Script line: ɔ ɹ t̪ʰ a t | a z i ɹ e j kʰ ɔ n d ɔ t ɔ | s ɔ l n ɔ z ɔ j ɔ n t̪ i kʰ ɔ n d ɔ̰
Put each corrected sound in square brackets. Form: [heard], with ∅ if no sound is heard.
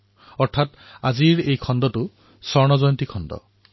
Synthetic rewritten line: ɔ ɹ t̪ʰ a t | a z i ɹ e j kʰ ɔ n d ɔ t [u] | s ɔ [ɹ] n ɔ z ɔ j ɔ n t̪ i kʰ ɔ n d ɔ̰

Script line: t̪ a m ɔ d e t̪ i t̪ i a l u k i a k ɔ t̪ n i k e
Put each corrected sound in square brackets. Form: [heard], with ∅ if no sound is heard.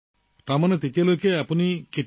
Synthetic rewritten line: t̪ a m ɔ [n] e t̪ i t̪ i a l [o] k [e] a [p] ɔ [∅] n i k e

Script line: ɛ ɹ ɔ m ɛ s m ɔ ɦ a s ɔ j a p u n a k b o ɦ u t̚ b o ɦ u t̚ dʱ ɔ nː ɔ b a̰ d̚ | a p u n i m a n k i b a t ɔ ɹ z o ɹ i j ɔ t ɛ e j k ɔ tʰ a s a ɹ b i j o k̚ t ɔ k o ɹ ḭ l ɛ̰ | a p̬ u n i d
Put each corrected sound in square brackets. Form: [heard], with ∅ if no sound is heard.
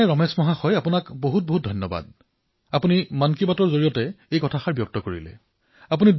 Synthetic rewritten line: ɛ ɹ ɔ m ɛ s m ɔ ɦ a [x] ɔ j a p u n a k b o ɦ u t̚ b o ɦ u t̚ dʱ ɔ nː ɔ b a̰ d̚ | a p u n i m a n k i b a t ɔ ɹ z o ɹ i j ɔ t ɛ e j k ɔ tʰ a [x] a ɹ b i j [ɔ] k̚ t ɔ k o ɹ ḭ l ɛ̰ | a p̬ u n i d

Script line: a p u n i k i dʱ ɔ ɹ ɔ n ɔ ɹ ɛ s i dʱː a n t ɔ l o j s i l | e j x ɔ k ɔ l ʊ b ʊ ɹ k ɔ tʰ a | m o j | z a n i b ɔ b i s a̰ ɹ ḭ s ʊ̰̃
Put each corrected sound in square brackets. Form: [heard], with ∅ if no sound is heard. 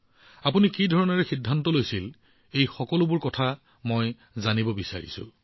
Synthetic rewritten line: a p u n i k i dʱ ɔ ɹ ɔ n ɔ ɹ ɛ [x] i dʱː a n t ɔ l o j s i l | e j x ɔ k ɔ l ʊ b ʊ ɹ k ɔ tʰ a | m o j | z a n i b ɔ b i s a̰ ɹ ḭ s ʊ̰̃

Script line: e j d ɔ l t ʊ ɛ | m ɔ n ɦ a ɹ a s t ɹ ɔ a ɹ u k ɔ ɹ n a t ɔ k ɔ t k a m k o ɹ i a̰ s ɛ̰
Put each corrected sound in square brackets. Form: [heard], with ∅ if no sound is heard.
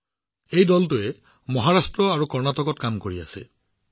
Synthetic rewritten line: e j d ɔ l t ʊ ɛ | m ɔ [∅] ɦ a ɹ a s t ɹ ɔ a ɹ u k ɔ ɹ n a t ɔ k ɔ t k a m k o ɹ i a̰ s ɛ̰

